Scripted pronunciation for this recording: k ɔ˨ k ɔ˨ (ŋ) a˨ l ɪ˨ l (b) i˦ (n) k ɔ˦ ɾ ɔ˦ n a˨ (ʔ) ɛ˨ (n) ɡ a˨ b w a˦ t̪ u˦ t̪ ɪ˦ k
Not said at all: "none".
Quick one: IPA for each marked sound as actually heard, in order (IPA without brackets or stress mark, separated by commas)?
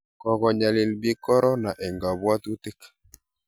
ɲ, b, none, ʔ, ŋ